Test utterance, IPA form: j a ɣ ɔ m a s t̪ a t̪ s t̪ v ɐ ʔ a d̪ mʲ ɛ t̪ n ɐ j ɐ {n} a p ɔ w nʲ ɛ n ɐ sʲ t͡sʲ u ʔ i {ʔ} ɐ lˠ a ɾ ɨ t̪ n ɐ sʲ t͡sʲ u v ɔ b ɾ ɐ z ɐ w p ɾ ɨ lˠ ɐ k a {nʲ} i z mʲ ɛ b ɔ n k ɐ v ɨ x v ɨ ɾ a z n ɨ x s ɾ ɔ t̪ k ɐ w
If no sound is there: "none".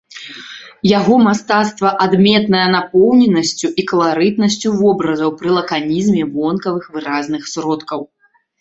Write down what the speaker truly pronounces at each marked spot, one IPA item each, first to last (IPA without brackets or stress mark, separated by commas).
n, k, nʲ